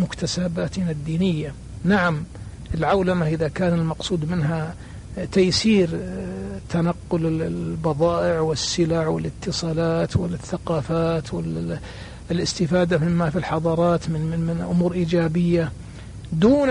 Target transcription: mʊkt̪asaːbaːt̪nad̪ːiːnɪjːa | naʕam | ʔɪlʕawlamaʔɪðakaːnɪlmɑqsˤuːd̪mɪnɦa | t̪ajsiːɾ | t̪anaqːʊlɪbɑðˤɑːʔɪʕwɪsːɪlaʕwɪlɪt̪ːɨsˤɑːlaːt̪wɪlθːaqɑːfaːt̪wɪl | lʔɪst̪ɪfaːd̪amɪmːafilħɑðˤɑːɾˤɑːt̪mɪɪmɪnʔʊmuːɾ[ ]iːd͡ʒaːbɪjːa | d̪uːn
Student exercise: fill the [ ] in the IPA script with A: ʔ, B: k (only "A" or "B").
A